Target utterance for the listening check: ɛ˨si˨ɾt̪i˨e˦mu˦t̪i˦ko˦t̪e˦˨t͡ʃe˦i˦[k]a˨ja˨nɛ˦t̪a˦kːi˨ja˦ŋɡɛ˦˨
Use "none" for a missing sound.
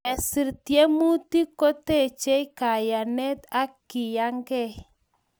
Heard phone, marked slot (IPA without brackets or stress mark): k